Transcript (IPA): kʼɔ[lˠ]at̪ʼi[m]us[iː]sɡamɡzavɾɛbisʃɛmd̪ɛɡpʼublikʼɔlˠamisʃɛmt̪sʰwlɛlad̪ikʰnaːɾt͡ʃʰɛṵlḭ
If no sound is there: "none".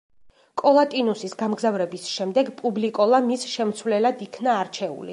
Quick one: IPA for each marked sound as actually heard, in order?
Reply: lˠ, n, i

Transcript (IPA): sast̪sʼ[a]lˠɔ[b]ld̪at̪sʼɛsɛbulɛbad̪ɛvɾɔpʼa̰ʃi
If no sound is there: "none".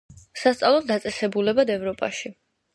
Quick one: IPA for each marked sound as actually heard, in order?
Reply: a, none

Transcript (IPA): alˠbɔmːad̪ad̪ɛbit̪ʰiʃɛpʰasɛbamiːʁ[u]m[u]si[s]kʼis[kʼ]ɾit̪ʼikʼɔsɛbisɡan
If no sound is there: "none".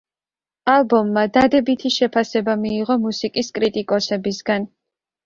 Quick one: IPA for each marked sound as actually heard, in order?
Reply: ɔ, u, none, kʼ

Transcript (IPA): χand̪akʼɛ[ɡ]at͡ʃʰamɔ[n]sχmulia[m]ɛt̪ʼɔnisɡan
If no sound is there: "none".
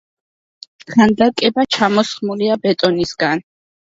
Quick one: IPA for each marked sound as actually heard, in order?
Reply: b, none, b

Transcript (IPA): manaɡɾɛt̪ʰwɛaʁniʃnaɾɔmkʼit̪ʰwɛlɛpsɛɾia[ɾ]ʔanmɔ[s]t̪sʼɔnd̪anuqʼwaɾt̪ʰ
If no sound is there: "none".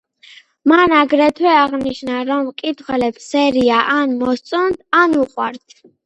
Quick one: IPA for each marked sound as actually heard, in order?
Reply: none, s

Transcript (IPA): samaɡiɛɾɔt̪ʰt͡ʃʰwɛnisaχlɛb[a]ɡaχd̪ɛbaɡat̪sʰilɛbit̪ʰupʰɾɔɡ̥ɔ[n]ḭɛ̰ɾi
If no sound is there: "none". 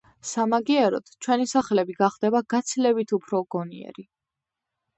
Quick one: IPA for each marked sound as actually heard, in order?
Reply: i, n

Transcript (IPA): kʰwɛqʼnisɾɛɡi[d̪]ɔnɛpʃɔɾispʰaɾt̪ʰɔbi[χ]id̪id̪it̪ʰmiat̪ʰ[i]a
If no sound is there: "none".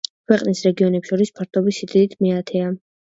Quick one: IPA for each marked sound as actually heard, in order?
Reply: none, s, ɛ

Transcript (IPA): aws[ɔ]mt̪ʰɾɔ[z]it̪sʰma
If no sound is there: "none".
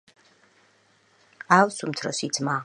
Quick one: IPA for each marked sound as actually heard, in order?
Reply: u, s

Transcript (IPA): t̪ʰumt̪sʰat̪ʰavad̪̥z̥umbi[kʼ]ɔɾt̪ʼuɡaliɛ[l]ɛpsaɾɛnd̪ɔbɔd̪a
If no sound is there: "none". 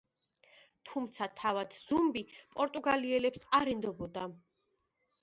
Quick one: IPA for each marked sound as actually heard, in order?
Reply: pʼ, l

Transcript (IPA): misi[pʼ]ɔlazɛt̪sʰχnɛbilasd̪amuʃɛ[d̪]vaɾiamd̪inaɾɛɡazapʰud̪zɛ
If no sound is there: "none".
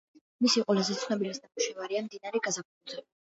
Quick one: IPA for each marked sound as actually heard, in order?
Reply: qʼ, none

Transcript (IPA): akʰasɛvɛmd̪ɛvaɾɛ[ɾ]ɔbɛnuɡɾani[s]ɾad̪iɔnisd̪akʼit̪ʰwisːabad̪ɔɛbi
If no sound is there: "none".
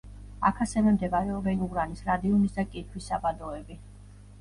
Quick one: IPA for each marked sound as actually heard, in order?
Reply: none, s

